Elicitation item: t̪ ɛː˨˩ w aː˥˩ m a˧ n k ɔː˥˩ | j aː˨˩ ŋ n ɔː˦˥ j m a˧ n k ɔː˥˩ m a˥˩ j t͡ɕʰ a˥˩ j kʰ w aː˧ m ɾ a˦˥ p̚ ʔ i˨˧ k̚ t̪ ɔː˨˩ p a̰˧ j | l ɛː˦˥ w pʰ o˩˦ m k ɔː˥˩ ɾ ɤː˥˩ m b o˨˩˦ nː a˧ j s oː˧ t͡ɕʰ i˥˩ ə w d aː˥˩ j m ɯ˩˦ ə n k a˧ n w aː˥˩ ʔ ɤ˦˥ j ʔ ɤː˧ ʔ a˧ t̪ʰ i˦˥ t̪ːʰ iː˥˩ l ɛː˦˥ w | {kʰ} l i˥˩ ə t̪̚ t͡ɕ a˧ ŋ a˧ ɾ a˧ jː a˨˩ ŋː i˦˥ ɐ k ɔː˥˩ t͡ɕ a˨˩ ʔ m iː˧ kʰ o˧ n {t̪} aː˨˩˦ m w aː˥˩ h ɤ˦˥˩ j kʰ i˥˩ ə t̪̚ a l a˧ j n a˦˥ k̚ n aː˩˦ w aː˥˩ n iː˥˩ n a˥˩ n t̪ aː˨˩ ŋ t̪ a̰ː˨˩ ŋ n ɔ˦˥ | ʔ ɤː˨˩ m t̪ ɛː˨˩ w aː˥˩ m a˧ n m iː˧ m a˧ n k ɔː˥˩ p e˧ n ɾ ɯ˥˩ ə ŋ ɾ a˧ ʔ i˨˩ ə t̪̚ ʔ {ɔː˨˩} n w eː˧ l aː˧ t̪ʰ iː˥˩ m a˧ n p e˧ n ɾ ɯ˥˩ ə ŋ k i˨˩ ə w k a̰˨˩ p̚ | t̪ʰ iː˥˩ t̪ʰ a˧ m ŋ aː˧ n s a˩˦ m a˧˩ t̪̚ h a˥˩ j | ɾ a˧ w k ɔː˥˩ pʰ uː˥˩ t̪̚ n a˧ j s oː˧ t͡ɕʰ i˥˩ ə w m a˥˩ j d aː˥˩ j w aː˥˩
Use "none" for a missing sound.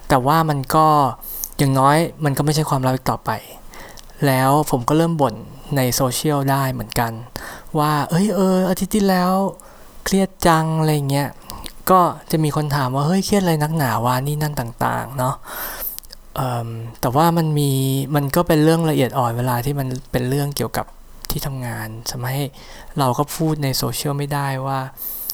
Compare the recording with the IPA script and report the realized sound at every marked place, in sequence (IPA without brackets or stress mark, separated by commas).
kʰ, t̪ʰ, ɔː˨˩